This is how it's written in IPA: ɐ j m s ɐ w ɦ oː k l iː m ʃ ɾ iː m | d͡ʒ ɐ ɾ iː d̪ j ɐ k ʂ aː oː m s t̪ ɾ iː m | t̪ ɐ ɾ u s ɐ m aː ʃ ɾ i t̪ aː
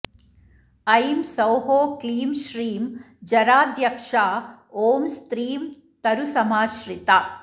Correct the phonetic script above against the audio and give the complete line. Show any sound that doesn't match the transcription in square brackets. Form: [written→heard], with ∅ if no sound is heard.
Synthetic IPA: ɐ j m s ɐ w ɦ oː k l iː m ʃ ɾ iː m | d͡ʒ ɐ ɾ [iː→aː] d̪ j ɐ k ʂ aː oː m s t̪ ɾ iː m | t̪ ɐ ɾ u s ɐ m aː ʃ ɾ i t̪ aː